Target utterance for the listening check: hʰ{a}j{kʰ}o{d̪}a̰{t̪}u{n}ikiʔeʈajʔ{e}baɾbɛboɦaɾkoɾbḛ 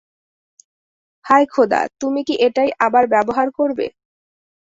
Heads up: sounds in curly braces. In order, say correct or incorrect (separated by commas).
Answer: correct, correct, correct, correct, incorrect, incorrect